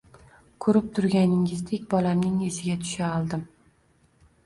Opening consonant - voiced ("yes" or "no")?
no